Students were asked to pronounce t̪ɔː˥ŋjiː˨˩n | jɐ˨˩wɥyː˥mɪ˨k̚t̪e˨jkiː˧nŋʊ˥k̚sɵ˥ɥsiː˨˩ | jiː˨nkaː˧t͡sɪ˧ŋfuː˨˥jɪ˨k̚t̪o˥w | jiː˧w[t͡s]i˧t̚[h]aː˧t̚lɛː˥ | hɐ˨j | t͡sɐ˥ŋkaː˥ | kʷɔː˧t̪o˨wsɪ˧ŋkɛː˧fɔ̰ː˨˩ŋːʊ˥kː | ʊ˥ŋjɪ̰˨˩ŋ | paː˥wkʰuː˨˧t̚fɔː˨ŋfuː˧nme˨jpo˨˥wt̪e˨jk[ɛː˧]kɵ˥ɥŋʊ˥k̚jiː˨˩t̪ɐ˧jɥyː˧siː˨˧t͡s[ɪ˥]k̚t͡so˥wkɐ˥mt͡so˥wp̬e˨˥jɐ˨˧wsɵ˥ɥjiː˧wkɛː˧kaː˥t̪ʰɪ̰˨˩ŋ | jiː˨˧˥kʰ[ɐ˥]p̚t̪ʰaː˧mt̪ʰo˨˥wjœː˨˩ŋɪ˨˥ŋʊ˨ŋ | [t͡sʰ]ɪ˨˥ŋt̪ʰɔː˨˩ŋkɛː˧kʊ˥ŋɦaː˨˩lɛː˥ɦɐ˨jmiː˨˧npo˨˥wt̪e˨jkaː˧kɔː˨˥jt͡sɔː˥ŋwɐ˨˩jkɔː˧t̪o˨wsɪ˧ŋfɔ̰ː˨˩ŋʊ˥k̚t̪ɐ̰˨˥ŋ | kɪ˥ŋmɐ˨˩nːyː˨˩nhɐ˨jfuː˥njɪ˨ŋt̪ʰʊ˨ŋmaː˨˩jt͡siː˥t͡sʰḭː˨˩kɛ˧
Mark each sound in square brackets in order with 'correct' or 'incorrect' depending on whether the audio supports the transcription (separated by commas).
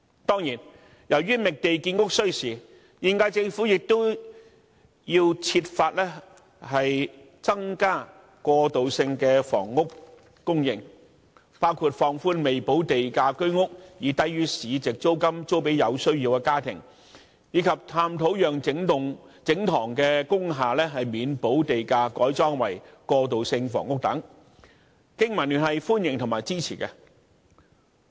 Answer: incorrect, incorrect, incorrect, incorrect, incorrect, incorrect